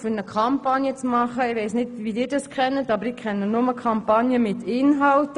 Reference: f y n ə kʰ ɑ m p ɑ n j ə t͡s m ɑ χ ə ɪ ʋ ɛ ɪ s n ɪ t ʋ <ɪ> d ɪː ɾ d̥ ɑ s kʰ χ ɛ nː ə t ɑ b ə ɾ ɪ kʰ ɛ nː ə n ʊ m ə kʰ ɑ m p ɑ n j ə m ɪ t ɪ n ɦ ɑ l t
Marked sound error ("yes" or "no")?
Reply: yes